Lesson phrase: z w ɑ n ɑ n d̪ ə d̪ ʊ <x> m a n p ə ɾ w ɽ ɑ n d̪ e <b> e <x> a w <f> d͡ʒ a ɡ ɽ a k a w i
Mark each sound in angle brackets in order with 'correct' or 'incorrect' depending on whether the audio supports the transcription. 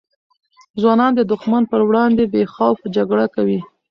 correct, correct, correct, correct

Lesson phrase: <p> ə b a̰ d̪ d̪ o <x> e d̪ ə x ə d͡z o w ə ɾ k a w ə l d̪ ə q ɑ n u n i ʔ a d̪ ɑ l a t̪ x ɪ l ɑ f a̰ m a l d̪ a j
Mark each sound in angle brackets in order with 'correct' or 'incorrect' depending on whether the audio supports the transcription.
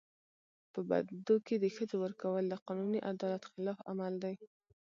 correct, incorrect: k

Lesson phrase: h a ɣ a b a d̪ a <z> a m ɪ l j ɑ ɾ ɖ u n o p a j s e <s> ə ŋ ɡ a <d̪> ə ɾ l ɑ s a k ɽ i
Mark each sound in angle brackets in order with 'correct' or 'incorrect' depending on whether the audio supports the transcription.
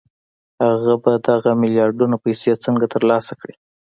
incorrect: ɣ, incorrect: t͡s, incorrect: t̪

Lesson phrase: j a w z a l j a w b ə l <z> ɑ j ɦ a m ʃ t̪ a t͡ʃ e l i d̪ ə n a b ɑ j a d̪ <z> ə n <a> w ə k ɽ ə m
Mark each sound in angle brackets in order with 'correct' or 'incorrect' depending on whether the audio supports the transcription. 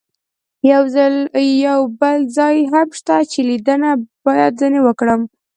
correct, correct, incorrect: e

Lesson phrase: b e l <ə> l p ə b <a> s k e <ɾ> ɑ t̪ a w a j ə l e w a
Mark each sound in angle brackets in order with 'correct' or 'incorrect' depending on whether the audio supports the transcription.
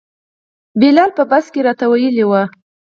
incorrect: ɑ, correct, correct

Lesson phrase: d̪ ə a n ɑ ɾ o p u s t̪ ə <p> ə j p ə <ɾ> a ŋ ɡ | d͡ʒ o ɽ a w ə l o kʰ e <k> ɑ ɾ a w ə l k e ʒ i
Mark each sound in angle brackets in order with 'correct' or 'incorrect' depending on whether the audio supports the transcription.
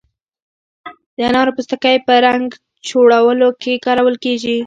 incorrect: k, correct, correct

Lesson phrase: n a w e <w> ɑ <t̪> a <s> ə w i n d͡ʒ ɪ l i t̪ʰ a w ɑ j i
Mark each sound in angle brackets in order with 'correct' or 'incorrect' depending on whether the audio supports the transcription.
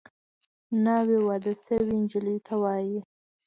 correct, incorrect: d̪, correct

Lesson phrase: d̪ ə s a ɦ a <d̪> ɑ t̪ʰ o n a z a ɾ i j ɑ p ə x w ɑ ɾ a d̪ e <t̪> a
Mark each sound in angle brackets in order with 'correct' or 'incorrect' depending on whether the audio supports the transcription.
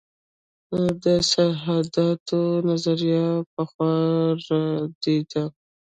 correct, incorrect: d̪

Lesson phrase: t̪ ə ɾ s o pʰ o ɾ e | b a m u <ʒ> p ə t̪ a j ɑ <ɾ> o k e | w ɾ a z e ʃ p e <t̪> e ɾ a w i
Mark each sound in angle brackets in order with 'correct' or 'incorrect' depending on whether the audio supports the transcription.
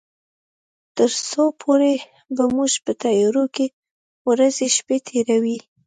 correct, correct, incorrect: t̪ʰ

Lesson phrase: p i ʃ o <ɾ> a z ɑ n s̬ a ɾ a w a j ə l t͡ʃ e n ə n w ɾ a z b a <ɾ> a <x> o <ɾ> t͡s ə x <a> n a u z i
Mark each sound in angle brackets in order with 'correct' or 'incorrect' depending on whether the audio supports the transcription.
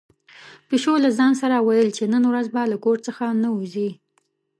incorrect: l, incorrect: l, incorrect: k, correct, correct

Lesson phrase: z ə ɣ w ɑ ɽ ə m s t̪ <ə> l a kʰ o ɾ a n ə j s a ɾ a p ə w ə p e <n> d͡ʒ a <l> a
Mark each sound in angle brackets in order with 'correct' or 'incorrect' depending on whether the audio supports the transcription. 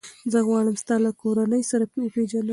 incorrect: ɑ, incorrect: none, correct

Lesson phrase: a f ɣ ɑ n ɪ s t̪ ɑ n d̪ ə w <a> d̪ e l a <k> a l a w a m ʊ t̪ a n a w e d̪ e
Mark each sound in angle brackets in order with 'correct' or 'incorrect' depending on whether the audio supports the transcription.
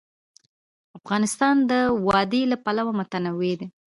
incorrect: ɑ, incorrect: p

